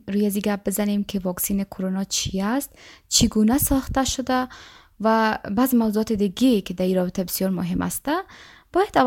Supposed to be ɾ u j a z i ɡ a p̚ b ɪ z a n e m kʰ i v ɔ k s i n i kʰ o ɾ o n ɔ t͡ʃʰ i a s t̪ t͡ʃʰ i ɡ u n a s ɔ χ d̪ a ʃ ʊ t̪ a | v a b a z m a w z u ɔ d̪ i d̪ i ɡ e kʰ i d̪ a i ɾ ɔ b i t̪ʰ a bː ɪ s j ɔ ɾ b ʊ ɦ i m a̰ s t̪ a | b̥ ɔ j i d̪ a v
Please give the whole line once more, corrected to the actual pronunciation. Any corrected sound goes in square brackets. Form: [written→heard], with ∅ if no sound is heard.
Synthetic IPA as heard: ɾ u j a z i ɡ a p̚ b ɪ z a n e m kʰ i v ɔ k s i n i kʰ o ɾ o n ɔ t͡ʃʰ i a s t̪ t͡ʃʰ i ɡ u n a s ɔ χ [d̪→t̪] a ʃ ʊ [t̪→d̪] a | v a b a z m a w z u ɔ [d̪→t̪] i d̪ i ɡ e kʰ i d̪ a i ɾ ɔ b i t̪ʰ a [bː→b] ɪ s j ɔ ɾ [b→m] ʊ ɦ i m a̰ s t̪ a | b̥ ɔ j [i→a] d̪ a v